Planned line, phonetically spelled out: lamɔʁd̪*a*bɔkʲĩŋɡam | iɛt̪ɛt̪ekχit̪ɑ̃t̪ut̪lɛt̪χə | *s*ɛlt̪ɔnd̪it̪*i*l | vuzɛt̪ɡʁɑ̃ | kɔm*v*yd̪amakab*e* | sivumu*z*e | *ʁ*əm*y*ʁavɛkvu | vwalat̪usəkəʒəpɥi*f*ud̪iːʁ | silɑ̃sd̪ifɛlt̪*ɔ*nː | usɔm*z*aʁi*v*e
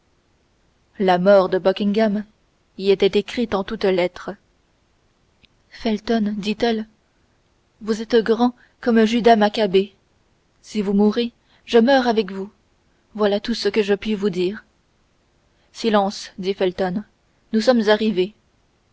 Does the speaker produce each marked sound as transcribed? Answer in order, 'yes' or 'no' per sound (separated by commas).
no, no, no, no, yes, no, no, no, no, yes, yes, yes